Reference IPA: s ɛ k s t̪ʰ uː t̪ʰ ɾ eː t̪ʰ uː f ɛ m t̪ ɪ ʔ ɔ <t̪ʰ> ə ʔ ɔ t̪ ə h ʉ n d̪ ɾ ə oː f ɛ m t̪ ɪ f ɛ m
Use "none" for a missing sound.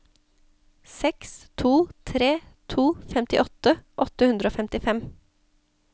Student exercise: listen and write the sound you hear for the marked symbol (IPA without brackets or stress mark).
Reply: t̪